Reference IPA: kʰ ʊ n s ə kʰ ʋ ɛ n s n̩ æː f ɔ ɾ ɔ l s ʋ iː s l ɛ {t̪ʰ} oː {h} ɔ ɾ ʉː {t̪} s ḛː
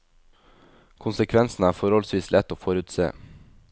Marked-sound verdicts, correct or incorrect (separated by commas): incorrect, incorrect, correct